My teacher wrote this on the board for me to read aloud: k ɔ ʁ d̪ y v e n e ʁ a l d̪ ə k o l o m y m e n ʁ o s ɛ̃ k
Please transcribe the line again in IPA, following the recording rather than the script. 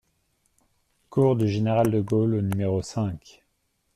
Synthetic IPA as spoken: k u ʁ d̪ y ʒ e n e ʁ a l d̪ ə ɡ o l o n y m e ʁ o s ɛ̃ k